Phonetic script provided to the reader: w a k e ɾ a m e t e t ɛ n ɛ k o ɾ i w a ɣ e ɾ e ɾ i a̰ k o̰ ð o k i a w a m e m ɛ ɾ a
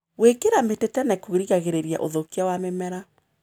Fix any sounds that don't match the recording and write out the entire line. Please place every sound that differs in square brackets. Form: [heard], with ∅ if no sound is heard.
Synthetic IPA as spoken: w [e] k e ɾ a m e t e t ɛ n ɛ k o ɾ i [ɣ] a ɣ e ɾ e ɾ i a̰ [ʔ] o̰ ð o k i a w a m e m ɛ ɾ a